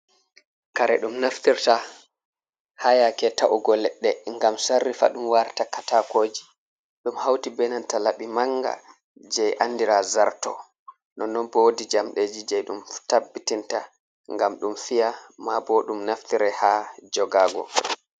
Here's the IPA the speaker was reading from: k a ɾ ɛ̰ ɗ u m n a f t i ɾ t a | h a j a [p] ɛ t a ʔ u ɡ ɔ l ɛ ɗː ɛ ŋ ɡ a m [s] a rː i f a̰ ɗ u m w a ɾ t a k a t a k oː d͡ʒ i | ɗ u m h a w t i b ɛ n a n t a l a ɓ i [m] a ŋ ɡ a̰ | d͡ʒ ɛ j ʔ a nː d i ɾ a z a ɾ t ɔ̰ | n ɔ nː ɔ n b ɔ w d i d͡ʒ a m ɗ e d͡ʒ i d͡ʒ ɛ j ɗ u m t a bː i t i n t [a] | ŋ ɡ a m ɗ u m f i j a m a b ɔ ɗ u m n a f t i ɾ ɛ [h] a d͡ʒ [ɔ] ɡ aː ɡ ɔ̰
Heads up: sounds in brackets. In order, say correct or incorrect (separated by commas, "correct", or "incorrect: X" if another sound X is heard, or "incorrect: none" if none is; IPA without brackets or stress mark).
incorrect: k, correct, correct, correct, correct, correct